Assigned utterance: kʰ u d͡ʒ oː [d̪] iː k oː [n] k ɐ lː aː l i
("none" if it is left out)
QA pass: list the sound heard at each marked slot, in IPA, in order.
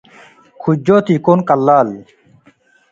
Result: t̪, n

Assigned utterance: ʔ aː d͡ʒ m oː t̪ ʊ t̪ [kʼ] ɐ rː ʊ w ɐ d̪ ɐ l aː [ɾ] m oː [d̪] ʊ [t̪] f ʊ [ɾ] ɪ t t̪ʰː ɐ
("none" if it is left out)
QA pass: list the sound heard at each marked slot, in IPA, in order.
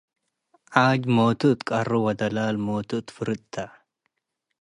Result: kʼ, l, t̪, t̪, ɾ

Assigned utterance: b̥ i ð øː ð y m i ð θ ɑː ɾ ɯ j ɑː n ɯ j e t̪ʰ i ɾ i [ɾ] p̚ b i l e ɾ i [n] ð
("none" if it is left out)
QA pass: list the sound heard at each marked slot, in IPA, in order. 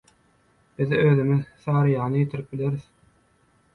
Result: none, none

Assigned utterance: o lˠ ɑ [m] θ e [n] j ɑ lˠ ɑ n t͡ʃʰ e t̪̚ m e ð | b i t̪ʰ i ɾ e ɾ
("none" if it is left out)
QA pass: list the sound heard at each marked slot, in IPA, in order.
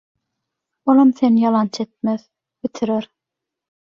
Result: m, n

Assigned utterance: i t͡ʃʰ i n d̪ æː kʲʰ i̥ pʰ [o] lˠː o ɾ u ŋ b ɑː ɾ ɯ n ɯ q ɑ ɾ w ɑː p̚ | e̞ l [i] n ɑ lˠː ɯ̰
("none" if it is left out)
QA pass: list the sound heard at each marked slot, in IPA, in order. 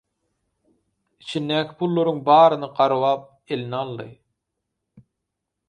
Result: u, i

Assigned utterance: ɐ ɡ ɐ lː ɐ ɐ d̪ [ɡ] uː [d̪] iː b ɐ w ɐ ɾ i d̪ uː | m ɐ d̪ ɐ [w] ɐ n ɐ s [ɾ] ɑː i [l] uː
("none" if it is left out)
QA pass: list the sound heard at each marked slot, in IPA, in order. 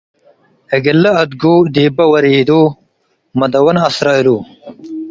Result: ɡ, d̪, w, ɾ, l

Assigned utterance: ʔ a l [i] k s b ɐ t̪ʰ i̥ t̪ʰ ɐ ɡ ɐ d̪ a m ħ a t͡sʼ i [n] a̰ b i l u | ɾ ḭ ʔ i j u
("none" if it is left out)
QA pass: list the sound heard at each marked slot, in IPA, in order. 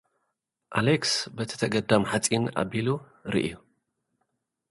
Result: e, n

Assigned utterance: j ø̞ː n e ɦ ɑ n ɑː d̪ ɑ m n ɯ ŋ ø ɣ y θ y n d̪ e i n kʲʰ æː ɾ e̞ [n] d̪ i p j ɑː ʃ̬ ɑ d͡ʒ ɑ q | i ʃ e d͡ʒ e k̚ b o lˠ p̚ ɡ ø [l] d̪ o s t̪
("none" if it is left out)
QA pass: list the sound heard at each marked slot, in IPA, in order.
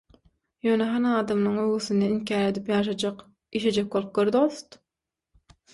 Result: none, ɾ

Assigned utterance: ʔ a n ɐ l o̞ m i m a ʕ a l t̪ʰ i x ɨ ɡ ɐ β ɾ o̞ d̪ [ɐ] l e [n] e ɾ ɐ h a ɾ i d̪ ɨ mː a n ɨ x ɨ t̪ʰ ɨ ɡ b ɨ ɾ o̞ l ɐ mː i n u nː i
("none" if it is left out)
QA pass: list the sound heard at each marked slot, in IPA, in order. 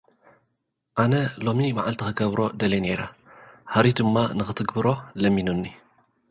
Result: ɐ, n

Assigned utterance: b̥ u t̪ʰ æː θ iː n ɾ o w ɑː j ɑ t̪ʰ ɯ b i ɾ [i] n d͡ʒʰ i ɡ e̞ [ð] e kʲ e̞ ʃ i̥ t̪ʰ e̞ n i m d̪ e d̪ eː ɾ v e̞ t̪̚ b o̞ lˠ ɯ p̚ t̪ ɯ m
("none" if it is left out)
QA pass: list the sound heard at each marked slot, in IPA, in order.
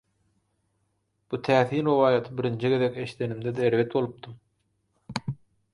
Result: i, ð

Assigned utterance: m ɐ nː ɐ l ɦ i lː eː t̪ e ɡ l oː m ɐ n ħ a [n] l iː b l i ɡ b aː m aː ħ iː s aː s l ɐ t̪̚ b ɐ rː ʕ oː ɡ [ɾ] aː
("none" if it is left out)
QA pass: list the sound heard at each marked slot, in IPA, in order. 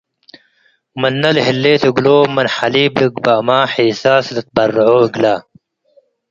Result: none, l

